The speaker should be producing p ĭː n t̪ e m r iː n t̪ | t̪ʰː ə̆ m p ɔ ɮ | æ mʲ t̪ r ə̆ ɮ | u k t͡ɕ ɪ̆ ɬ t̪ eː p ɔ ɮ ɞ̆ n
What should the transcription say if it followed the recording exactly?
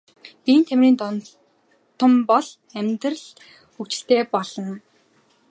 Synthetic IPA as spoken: p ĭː n t̪ʰ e m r iː n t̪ | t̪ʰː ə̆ m p ɔ ɮ | æ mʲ t̪ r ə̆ ɮ | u k t͡ɕ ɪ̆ ɬ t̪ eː p ɔ ɮ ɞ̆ n